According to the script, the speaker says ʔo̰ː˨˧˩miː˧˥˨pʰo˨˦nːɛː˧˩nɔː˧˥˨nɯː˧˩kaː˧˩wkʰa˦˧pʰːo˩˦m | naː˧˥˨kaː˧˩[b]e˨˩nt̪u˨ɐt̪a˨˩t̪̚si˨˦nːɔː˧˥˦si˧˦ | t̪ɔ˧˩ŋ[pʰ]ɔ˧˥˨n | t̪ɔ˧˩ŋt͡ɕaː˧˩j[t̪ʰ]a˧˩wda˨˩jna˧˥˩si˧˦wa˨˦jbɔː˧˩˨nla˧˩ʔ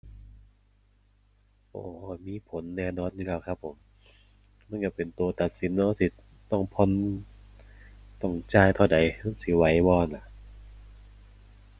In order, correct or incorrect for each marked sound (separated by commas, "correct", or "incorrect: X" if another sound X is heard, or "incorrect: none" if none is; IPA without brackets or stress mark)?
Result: incorrect: p, correct, correct